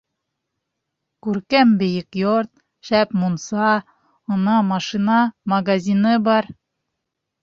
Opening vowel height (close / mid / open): close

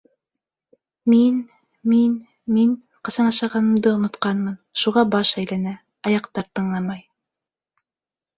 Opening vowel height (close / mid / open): close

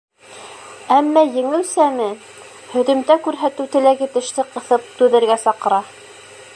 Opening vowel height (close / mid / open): open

